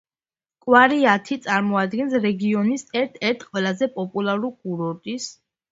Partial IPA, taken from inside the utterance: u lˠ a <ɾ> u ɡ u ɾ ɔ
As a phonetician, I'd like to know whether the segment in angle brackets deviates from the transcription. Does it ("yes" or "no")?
no